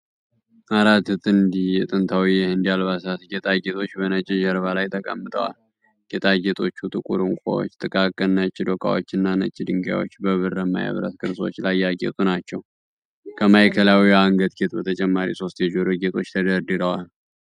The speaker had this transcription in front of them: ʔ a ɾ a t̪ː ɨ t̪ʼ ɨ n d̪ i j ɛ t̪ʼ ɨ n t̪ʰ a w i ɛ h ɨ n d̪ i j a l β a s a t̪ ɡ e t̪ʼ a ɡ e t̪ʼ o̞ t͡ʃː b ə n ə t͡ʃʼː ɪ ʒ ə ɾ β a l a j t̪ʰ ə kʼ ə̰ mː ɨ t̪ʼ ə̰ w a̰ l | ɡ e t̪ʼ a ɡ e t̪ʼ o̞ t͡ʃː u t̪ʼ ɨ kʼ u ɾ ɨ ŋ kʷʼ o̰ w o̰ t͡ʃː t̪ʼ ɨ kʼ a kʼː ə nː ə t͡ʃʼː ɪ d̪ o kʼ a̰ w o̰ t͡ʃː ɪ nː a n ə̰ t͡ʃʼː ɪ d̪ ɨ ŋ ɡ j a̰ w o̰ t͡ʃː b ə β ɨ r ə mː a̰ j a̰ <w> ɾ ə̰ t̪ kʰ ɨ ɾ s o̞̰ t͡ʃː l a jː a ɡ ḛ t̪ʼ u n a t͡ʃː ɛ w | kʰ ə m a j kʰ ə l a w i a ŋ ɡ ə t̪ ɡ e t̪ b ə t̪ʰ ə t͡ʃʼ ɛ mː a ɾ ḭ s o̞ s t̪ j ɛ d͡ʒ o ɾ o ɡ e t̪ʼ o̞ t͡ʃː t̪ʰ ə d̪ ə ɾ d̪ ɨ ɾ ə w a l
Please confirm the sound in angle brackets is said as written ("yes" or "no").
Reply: no